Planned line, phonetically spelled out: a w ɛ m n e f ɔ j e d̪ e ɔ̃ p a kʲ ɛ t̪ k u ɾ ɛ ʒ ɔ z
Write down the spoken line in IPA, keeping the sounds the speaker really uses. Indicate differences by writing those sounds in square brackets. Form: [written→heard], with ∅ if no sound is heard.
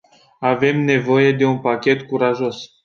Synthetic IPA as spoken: a [w→v] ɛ m n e [f→v] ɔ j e d̪ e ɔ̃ p a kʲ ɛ t̪ k u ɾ [ɛ→a] ʒ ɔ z